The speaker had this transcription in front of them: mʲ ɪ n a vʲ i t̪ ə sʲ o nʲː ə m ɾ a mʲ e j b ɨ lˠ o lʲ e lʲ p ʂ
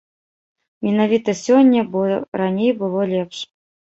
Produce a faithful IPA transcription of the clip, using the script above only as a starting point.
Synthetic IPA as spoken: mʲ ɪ n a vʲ i t̪ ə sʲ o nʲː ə b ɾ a nʲ e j b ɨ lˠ o lʲ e p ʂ